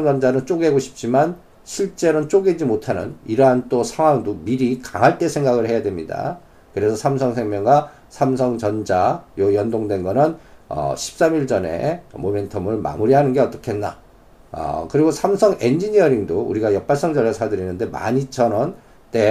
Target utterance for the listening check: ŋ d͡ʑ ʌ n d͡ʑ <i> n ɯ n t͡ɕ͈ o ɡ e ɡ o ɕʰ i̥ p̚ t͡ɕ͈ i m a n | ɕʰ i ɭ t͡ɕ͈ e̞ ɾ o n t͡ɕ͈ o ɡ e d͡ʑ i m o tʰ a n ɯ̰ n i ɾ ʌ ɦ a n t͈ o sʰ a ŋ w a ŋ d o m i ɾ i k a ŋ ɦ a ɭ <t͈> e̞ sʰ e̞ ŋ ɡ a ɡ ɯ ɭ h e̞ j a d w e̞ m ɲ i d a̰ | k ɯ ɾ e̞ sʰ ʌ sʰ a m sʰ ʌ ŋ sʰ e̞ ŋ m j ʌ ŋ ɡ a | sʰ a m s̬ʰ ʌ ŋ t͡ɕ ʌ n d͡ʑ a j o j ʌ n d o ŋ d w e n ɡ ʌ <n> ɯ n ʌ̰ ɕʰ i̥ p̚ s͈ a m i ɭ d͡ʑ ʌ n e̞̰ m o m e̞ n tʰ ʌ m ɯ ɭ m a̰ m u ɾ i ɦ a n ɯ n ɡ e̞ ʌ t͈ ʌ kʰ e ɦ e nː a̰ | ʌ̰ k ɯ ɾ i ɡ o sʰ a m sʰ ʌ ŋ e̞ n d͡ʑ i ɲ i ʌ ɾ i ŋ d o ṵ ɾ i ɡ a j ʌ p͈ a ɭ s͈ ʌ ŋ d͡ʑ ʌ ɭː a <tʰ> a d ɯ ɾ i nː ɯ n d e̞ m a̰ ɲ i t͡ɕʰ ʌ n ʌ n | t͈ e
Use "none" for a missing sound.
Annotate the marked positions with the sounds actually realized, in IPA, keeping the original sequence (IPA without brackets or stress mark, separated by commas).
a, t͈, n, sʰ